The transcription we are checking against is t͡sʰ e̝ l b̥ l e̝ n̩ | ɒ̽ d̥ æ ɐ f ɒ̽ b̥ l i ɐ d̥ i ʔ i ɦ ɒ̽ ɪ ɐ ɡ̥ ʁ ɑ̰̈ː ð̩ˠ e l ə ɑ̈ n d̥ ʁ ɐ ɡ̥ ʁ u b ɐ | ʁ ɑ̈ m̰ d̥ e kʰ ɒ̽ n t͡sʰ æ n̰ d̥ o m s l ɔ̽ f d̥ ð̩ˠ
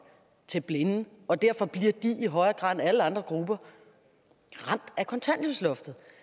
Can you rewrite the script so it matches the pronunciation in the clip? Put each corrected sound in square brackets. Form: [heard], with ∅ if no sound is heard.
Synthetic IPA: t͡sʰ e̝ l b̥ l e̝ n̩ | ɒ̽ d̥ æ ɐ f ɒ̽ b̥ l i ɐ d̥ i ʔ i ɦ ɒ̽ ɪ ɐ ɡ̥ ʁ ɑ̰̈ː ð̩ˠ [æ] l ə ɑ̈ n d̥ ʁ ɐ ɡ̥ ʁ u b ɐ | ʁ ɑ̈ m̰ d̥ [æ] kʰ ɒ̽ n t͡sʰ æ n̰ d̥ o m s l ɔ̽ f d̥ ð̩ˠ